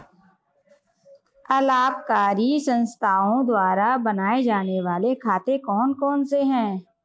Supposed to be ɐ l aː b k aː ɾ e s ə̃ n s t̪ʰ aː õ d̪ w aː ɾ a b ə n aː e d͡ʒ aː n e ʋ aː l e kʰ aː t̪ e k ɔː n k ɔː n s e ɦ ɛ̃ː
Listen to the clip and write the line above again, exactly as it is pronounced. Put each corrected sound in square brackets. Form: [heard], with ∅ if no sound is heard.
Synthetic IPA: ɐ l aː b k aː ɾ [i] s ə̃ n s t̪ʰ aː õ d̪ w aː ɾ a b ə n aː e d͡ʒ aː n e ʋ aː l e kʰ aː t̪ e k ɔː n k ɔː n s e ɦ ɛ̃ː